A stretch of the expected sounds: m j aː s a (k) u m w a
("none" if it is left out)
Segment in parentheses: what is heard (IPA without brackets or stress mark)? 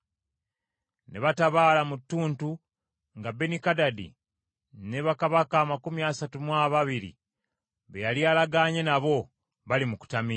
t